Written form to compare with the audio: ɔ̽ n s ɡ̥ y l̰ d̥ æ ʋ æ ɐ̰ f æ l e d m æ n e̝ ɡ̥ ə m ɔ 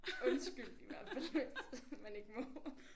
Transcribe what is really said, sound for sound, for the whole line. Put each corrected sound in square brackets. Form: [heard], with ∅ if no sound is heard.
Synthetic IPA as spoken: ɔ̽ n s ɡ̥ y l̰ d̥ [i] ʋ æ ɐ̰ f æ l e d m æ n e̝ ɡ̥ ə m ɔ